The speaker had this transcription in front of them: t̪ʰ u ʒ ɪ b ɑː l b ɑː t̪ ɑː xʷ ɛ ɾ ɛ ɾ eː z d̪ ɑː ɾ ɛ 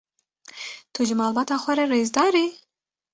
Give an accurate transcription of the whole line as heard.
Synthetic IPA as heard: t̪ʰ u ʒ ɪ m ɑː l b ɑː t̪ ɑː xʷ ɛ ɾ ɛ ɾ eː z d̪ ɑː ɾ i